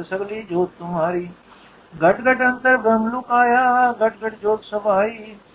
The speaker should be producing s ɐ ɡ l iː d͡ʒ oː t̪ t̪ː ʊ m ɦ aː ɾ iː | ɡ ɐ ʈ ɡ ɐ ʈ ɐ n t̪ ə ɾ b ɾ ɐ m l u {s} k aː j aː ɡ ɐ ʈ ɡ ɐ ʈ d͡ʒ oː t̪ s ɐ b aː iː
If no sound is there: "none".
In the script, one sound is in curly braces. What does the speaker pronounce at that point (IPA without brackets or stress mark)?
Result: none